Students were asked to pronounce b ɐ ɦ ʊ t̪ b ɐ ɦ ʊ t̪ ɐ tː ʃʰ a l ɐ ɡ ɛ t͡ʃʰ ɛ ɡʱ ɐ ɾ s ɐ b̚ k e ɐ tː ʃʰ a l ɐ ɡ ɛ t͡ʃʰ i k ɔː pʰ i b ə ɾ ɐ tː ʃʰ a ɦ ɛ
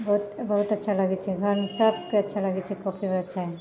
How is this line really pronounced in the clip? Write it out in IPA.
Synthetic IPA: b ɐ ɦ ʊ t̪ b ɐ ɦ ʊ t̪ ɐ tː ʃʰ a l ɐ ɡ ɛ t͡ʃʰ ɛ ɡʱ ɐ ɾ s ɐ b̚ k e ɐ tː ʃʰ a l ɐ ɡ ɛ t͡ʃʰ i k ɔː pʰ i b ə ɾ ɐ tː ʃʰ a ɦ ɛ